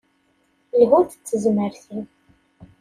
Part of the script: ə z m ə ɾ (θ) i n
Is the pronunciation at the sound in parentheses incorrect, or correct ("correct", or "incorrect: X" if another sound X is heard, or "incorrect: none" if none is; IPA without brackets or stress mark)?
correct